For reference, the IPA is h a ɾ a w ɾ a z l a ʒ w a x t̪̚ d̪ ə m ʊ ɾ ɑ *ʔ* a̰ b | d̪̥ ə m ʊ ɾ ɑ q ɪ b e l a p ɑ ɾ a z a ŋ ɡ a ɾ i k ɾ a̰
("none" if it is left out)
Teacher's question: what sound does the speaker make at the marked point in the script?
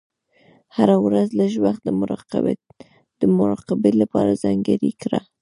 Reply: q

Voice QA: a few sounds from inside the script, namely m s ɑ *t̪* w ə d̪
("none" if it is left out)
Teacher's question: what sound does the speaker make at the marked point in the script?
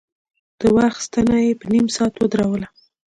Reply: t̪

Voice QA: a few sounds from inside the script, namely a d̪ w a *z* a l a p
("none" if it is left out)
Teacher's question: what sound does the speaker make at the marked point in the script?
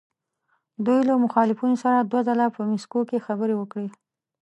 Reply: z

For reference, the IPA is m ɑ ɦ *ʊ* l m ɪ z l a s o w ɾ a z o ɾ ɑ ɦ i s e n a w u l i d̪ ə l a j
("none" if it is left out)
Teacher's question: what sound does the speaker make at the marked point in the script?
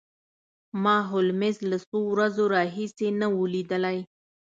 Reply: ʊ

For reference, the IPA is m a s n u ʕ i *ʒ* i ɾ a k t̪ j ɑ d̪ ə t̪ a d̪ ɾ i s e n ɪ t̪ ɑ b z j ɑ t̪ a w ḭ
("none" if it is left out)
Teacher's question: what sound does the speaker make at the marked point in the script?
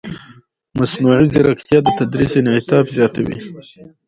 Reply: z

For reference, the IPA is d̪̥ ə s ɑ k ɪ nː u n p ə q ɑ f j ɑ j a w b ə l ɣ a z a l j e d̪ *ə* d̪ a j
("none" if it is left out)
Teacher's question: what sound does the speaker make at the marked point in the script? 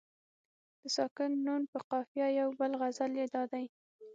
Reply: ɑ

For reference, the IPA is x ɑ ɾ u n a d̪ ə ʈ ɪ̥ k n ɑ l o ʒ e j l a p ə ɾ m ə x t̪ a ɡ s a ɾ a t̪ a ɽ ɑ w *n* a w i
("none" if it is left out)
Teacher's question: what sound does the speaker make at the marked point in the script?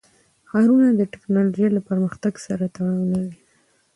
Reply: n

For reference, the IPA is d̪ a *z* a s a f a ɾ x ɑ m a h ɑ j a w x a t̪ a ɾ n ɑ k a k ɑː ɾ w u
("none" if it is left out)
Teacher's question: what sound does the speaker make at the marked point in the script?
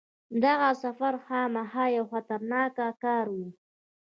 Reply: ɣ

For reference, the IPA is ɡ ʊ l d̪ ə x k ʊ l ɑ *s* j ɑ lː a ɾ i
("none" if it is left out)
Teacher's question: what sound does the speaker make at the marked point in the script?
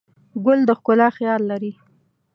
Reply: x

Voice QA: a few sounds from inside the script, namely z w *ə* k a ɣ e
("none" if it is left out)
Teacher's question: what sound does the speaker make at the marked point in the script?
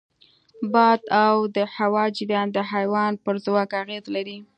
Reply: ɑ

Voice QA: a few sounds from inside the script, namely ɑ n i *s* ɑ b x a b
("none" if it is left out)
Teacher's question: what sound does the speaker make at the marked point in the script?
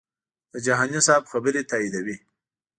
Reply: s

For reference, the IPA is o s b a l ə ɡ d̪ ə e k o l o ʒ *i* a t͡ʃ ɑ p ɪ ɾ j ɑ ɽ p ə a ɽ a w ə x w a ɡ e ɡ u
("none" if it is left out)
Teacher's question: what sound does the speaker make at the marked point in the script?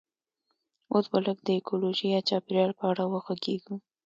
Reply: i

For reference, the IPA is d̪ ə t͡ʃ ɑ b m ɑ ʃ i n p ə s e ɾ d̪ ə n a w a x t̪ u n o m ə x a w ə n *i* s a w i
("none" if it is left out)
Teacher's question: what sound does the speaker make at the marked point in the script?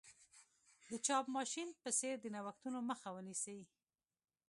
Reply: i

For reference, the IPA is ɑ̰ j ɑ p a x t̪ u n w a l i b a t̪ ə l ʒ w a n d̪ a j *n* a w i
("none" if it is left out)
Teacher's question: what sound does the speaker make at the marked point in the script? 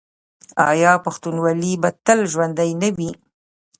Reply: n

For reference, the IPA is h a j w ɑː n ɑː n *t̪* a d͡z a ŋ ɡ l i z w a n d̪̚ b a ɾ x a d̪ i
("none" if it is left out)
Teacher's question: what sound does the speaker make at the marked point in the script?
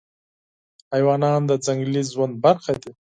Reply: d̪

